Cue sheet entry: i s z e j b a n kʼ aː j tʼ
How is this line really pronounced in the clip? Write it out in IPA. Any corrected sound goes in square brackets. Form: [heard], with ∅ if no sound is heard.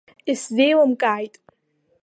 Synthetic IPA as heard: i s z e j [w] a [m] kʼ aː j tʼ